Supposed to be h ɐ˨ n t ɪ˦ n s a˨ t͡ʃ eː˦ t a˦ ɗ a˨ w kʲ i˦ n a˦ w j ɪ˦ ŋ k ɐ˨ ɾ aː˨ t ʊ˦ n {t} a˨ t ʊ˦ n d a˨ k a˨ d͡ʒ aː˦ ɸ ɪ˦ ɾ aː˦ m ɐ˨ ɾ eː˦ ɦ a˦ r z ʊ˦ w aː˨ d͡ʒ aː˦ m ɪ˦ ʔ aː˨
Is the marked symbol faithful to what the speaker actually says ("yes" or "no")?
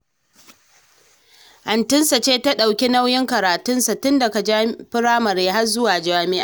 no